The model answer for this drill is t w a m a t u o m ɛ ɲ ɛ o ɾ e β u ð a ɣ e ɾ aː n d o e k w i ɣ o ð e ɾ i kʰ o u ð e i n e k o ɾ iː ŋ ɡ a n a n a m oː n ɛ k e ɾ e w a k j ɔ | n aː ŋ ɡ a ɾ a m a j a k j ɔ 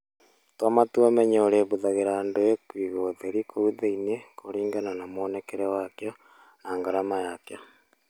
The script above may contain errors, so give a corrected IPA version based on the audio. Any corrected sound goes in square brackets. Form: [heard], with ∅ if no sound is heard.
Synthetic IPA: t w a m a t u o m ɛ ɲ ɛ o ɾ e β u ð a ɣ e ɾ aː n d o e k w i ɣ o ð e ɾ i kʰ o u ð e i n e k o ɾ iː ŋ ɡ a n a n a m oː n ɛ k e ɾ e w a k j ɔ | n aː ŋ ɡ a ɾ a m a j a k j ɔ